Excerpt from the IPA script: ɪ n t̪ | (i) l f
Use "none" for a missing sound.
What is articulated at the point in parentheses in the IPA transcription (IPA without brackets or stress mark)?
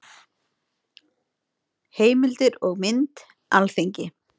a